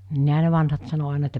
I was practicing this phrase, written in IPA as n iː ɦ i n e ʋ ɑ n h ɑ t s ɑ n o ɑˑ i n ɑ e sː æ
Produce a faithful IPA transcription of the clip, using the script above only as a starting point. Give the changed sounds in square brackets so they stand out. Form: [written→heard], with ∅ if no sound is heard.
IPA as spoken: n iː ɦ [i→æ] n e ʋ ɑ n h ɑ t s ɑ n o ɑˑ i n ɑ e [sː→tː] æ